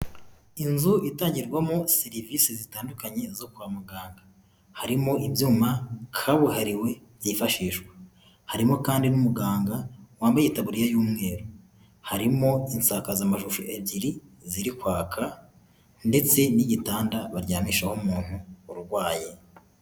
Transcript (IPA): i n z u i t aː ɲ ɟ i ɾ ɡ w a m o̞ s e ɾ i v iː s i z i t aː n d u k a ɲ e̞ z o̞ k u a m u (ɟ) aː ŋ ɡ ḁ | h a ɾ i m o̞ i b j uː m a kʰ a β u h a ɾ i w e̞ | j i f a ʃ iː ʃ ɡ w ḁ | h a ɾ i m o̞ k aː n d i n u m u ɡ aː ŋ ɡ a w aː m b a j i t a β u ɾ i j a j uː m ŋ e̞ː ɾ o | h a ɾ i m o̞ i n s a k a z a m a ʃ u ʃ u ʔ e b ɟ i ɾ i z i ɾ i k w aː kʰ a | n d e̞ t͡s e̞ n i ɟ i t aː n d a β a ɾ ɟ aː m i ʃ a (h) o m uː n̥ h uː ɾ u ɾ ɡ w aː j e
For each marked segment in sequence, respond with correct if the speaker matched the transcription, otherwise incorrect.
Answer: incorrect: ɡ, correct

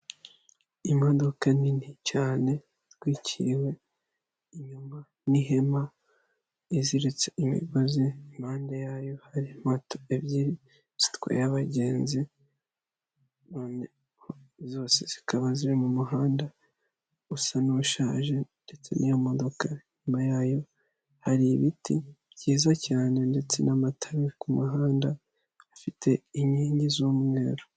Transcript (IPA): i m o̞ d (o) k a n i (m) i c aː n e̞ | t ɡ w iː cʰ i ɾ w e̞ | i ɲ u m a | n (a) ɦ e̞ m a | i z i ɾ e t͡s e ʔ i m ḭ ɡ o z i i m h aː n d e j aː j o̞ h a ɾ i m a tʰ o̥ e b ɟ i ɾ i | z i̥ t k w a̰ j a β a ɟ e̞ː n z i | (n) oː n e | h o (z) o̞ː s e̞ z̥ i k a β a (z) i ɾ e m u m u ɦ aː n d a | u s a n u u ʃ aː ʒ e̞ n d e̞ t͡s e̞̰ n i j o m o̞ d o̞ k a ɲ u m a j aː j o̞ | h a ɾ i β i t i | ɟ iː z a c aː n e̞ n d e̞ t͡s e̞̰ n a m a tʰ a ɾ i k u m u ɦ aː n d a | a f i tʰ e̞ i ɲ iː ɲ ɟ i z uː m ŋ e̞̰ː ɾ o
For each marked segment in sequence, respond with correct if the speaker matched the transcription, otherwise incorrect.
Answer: correct, incorrect: n, incorrect: i, correct, correct, correct

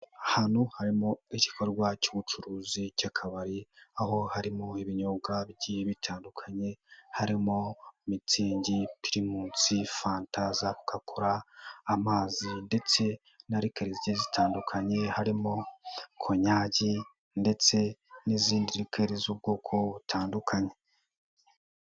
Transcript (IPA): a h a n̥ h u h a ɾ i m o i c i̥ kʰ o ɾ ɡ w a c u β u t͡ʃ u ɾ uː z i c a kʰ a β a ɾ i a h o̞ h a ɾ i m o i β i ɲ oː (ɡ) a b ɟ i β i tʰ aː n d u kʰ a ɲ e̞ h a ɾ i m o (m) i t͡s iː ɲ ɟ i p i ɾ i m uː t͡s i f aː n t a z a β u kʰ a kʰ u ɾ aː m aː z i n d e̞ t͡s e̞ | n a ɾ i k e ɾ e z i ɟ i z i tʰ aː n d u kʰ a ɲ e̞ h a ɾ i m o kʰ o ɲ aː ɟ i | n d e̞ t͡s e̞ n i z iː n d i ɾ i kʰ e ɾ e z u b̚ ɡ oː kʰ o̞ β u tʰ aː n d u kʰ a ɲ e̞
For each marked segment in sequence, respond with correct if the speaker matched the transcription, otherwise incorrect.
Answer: correct, correct

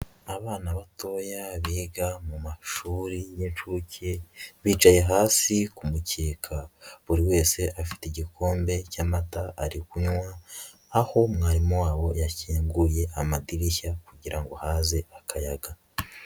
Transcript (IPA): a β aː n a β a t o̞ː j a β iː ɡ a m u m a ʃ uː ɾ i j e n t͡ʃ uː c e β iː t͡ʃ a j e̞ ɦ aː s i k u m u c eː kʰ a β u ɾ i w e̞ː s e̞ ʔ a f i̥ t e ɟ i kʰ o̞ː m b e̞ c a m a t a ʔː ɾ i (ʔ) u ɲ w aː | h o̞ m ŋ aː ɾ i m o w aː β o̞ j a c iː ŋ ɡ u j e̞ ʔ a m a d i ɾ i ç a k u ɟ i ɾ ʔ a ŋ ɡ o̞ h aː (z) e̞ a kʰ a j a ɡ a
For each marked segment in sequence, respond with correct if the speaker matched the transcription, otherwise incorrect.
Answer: incorrect: k, correct

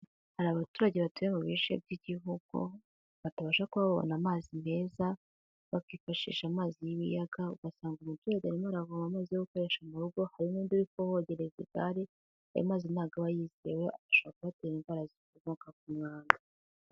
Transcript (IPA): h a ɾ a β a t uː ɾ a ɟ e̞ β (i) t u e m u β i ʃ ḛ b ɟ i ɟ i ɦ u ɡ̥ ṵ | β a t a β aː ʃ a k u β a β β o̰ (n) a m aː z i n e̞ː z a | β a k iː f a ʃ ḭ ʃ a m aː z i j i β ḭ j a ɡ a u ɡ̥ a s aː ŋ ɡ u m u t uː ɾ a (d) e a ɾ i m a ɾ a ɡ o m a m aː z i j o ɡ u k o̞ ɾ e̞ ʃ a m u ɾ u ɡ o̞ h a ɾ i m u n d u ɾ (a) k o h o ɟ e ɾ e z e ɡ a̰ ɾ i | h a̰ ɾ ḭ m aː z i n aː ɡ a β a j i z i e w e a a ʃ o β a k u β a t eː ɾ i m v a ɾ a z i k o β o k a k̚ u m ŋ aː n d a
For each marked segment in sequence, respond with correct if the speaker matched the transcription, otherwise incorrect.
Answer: incorrect: a, correct, incorrect: ɟ, incorrect: i

